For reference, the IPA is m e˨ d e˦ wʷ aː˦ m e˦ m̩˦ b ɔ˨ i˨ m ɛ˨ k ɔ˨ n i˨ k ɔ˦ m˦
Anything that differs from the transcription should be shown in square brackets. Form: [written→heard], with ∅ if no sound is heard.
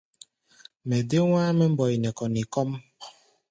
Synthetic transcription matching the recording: m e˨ d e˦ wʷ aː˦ m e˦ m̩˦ b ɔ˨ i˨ [m→n] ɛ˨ k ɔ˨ n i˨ k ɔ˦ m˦

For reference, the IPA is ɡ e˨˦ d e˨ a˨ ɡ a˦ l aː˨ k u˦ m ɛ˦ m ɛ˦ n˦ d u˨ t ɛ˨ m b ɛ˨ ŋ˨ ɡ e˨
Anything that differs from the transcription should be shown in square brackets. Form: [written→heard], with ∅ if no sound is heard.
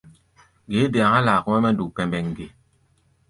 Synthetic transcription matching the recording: ɡ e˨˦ d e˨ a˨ [ɡ→ŋ] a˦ l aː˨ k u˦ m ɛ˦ m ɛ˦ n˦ d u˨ [t→p] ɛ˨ m b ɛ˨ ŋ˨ ɡ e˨

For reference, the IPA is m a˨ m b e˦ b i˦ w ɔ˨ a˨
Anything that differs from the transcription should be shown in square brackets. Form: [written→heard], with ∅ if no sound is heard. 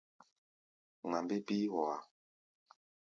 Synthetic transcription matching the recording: [m→ŋ] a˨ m b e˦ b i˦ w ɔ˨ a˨

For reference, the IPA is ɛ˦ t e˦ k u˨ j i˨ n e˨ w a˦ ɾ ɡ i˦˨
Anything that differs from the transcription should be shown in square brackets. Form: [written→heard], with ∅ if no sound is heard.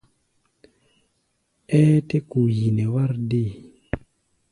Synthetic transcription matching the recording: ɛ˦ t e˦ k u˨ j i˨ n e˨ w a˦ ɾ [ɡ→d] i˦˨

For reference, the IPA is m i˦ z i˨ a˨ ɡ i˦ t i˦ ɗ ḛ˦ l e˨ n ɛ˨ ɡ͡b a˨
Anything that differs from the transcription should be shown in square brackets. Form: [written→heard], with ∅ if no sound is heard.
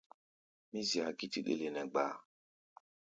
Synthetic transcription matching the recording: m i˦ z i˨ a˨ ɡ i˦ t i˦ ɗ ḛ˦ l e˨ n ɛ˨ ɡ͡b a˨

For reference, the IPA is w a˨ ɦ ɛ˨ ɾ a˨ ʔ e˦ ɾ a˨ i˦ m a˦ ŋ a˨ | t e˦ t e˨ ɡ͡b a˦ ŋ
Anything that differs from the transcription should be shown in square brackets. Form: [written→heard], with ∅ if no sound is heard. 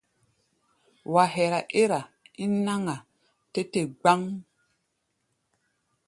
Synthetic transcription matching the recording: w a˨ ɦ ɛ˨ ɾ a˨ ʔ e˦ ɾ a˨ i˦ [m→n] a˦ ŋ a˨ | t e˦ t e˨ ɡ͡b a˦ ŋ

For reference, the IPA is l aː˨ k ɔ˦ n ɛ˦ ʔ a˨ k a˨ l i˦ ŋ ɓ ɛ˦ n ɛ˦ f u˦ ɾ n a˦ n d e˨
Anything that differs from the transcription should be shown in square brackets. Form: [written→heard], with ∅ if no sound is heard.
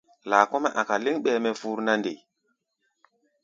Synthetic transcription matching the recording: l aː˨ k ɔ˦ [n→m] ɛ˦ ʔ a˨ k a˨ l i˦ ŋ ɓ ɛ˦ [n→m] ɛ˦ f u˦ ɾ n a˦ n d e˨

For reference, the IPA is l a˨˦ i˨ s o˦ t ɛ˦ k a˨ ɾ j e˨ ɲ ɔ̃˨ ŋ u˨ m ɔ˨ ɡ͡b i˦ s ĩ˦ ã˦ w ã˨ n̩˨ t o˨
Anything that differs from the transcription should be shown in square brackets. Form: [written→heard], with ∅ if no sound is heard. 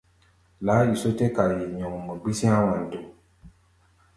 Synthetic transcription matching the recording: l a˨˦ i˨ s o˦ t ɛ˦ k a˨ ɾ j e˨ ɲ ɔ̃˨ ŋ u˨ m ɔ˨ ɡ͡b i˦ s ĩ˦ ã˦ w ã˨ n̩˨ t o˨

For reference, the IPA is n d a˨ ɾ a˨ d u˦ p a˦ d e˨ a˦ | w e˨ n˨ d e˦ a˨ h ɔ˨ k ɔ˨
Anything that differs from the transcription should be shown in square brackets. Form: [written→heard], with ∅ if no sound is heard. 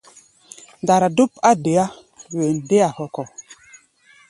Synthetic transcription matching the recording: n d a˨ ɾ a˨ d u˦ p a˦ d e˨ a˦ | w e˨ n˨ d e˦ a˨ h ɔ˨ k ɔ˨

